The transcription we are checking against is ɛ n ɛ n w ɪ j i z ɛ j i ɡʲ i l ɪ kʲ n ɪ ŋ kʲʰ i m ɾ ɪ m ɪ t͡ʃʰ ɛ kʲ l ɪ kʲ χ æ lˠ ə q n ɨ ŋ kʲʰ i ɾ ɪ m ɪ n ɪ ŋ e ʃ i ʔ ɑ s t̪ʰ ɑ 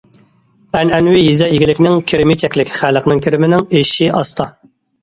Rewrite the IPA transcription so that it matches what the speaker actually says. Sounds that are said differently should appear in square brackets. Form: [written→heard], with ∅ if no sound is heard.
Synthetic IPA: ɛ n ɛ n w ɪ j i z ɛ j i ɡʲ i l ɪ kʲ n ɪ ŋ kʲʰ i [m→∅] ɾ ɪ m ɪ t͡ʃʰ ɛ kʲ l ɪ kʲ χ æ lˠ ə q n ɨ ŋ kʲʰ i ɾ ɪ m ɪ n ɪ ŋ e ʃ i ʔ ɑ s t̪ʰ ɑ